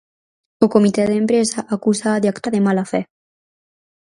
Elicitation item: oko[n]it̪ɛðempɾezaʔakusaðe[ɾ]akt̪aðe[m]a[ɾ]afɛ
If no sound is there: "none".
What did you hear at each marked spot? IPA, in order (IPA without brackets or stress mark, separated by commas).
m, none, m, l